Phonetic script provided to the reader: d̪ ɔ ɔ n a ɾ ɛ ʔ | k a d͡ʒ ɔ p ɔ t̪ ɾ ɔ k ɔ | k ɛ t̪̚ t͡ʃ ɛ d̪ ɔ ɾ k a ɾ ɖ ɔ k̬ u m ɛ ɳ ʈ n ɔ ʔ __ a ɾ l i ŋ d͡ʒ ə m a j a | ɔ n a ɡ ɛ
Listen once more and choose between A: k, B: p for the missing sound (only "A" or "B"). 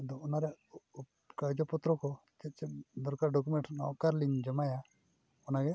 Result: A